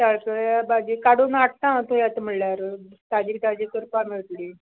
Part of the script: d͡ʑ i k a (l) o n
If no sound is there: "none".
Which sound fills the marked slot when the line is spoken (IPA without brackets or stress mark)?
ɽ